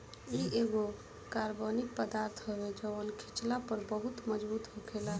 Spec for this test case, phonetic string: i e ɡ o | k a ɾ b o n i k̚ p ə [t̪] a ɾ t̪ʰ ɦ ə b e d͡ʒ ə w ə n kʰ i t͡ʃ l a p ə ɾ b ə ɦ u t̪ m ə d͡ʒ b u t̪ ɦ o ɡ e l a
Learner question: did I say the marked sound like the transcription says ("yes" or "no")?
no